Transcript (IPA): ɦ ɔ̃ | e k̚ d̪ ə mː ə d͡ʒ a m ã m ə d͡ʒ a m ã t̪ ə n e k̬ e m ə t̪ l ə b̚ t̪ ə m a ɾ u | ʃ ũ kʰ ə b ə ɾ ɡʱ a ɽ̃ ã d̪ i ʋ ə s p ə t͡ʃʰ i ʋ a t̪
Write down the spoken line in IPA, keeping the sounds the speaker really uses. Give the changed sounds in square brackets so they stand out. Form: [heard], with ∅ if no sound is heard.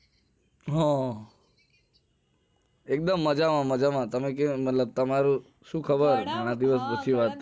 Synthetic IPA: ɦ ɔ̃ | e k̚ d̪ ə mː ə d͡ʒ a m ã m ə d͡ʒ a m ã t̪ ə [m] e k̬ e m ə t̪ l ə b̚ t̪ ə m a ɾ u | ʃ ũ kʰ ə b ə ɾ ɡʱ a ɽ̃ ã d̪ i ʋ ə s p ə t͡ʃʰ i ʋ a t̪

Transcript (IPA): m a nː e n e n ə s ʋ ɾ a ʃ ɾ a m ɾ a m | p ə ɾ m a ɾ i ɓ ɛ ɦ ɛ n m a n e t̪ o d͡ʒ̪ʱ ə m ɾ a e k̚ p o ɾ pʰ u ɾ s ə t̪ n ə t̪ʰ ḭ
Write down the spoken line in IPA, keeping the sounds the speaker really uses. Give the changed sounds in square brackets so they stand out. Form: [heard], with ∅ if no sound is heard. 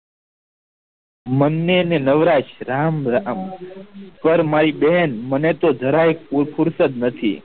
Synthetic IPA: m [ə] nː e n e n ə [∅] ʋ ɾ a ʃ ɾ a m ɾ a m | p ə ɾ m a ɾ i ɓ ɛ ɦ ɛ n m [ə] n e t̪ o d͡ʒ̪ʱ ə [∅] ɾ a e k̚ p [u] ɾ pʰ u ɾ s ə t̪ n ə t̪ʰ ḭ

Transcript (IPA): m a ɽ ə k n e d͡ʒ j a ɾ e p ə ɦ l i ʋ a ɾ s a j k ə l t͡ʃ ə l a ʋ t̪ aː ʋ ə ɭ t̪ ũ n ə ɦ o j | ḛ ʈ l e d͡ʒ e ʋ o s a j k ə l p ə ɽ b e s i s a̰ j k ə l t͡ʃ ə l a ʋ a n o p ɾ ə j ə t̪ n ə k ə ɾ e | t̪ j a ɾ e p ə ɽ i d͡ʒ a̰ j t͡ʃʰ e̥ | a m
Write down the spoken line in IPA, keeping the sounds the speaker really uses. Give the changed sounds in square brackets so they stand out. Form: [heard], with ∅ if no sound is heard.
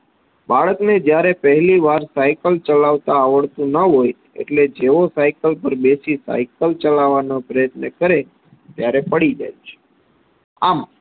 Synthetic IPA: [b] a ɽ ə k n e d͡ʒ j a ɾ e p ə ɦ l i ʋ a ɾ s a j k ə l t͡ʃ ə l a ʋ t̪ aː ʋ ə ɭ t̪ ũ n ə ɦ o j | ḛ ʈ l e d͡ʒ e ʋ o s a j k ə l p ə [ɾ] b e s i s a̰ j k ə l t͡ʃ ə l a ʋ a n o p ɾ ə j ə t̪ n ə k ə ɾ e | t̪ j a ɾ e p ə ɽ i d͡ʒ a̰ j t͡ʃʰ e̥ | a m

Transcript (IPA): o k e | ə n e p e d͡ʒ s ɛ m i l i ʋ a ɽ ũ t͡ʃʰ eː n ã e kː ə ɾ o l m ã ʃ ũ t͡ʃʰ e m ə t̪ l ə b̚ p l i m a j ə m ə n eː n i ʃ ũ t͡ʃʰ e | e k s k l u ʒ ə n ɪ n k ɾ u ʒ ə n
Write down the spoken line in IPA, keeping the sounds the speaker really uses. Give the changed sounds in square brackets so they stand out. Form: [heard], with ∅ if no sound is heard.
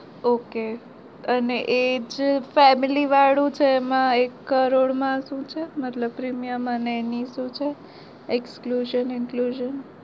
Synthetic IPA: o k e | ə n e [ʔ] e d͡ʒ [f] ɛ m i l i ʋ a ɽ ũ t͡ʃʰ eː [m] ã e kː ə ɾ o [ɽ] m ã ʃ ũ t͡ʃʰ e m ə t̪ l ə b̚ p [ɾ] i m [i] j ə m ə n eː n i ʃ ũ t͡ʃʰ e | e k s k l u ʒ ə n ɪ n k [l] u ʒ ə n

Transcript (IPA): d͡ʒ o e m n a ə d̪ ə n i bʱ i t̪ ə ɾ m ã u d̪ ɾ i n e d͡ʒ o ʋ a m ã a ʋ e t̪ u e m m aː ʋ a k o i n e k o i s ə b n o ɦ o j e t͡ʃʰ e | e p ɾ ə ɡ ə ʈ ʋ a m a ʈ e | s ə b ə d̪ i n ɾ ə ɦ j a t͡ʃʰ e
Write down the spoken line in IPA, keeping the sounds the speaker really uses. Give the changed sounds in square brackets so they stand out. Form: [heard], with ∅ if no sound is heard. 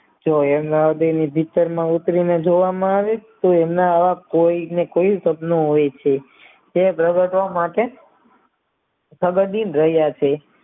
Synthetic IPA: d͡ʒ o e m n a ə d̪ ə n i bʱ i t̪ ə ɾ m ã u [t̪] ɾ i n e d͡ʒ o ʋ a m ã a ʋ e t̪ [o] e m [n] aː ʋ a k o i n e k o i s ə b n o ɦ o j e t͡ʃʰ e | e p ɾ ə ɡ ə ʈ ʋ a m a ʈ e | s ə [ɡ] ə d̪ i n ɾ ə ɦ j a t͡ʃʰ e

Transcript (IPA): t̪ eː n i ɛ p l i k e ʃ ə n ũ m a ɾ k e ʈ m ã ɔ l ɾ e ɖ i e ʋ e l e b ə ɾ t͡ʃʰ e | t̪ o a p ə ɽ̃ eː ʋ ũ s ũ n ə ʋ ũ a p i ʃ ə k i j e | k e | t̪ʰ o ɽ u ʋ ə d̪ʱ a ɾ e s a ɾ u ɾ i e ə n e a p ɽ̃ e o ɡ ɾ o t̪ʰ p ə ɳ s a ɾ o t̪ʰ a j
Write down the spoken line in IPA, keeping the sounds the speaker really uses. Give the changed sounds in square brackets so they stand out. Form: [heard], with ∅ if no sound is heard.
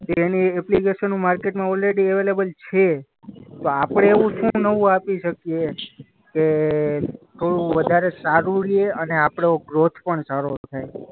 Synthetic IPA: t̪ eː n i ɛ p l i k e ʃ ə n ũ m a ɾ k e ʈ m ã ɔ l ɾ e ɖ i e ʋ e l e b ə [l] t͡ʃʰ e | t̪ o a p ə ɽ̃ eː ʋ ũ [ʃ] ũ n ə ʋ ũ a p i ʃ ə k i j e | k e | t̪ʰ o ɽ u ʋ ə d̪ʱ a ɾ e s a ɾ u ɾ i e ə n e a p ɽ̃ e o ɡ ɾ o t̪ʰ p ə ɳ s a ɾ o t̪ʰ a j

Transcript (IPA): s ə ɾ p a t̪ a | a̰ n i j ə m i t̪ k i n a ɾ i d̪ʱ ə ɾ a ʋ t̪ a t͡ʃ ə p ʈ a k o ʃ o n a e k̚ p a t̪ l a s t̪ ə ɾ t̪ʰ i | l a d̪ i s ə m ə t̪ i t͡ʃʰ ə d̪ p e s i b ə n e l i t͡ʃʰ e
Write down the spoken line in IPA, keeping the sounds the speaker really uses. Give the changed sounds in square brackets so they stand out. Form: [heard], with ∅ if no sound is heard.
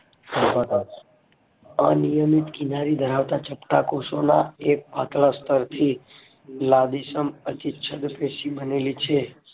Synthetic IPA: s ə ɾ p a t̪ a | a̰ n i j ə m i t̪ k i n a ɾ i d̪ʱ ə ɾ a ʋ t̪ a t͡ʃ ə p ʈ a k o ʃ o n a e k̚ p a t̪ l a s t̪ ə ɾ t̪ʰ i | l a d̪ i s ə m ə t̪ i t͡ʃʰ ə d̪ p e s i b ə n e l i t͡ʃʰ e

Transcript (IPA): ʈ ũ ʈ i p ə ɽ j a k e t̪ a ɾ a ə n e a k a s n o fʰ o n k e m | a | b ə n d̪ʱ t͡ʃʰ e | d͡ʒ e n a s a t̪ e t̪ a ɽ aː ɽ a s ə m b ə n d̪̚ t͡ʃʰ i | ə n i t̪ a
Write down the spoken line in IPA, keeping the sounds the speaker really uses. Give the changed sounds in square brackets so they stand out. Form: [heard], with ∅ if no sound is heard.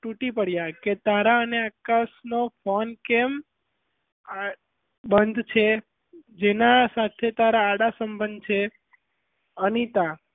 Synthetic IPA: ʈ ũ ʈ i p ə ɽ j a k e t̪ a ɾ a ə n e a k a s n o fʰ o n k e m | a | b ə n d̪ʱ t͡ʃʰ e | d͡ʒ e n a s a [t̪ʰ] e t̪ a [ɾ] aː ɽ a s ə m b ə n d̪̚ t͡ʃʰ [e] | ə n i t̪ a

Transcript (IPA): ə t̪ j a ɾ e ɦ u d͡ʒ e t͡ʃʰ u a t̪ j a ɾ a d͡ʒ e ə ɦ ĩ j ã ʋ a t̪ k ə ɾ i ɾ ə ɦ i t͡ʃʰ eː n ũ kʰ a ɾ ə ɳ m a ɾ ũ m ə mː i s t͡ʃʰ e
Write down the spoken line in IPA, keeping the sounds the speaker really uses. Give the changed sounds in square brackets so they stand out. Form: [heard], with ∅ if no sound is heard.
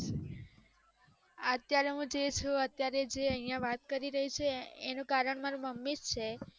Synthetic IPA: ə t̪ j a ɾ e ɦ [ũ] d͡ʒ e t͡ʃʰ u [ə] t̪ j a ɾ [e] d͡ʒ e ə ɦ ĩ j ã ʋ a t̪ k ə ɾ i ɾ ə ɦ i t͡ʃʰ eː n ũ [k] a ɾ ə ɳ m a ɾ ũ m ə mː i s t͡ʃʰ e

